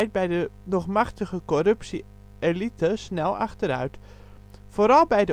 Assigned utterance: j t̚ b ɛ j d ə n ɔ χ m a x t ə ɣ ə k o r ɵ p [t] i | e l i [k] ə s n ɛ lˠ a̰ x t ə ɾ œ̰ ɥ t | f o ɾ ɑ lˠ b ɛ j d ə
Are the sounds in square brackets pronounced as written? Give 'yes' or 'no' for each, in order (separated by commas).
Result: no, no